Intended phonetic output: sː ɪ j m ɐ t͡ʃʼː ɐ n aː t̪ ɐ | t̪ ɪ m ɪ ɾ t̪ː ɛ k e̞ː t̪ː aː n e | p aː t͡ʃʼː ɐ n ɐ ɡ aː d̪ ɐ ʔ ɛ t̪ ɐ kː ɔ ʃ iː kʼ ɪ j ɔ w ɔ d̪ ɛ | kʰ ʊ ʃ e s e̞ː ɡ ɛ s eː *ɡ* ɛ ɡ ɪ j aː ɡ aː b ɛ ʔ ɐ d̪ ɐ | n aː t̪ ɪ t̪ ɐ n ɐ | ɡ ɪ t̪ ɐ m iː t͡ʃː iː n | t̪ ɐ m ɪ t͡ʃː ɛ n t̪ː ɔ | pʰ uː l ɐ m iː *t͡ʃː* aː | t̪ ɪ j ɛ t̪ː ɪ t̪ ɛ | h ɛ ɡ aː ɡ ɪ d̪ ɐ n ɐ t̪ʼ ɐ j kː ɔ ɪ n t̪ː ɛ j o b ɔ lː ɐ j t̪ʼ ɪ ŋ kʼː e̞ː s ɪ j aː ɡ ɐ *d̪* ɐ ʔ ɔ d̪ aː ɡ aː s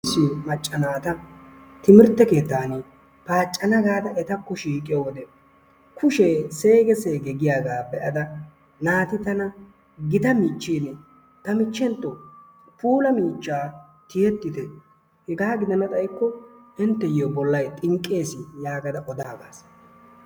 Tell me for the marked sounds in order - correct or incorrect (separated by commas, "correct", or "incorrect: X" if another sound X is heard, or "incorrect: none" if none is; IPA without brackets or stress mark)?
correct, correct, correct